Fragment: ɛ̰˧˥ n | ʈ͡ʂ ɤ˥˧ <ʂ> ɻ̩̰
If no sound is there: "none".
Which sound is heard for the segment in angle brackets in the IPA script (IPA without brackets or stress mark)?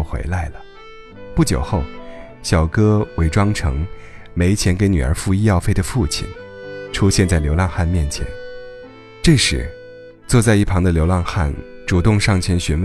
ʂ